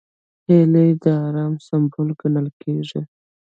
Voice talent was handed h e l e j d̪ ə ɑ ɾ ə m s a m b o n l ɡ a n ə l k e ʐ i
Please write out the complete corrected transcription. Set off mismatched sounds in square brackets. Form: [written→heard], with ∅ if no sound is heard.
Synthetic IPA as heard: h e l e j d̪ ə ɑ ɾ [ə→ɑ] m s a m b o [n→∅] l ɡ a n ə l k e ʐ i